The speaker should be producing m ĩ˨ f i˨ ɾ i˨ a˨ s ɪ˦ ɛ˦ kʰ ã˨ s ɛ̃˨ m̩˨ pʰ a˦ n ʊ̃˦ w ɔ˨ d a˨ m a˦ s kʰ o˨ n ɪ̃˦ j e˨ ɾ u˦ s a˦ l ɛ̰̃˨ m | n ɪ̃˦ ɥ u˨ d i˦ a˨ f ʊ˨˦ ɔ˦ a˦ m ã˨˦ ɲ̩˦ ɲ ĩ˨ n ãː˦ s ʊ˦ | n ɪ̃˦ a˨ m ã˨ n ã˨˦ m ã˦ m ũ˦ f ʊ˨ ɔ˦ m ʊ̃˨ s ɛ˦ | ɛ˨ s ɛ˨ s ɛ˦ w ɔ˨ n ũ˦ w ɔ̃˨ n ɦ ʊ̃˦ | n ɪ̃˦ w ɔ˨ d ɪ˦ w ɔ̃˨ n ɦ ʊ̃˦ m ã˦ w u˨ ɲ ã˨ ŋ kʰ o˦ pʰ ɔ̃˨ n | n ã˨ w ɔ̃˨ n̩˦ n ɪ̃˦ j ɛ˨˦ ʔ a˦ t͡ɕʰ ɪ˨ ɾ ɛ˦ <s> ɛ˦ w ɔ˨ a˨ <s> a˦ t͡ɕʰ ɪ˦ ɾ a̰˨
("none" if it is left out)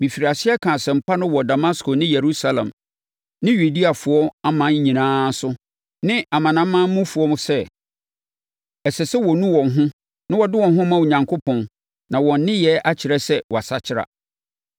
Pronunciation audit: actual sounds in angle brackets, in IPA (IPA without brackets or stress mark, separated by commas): s, s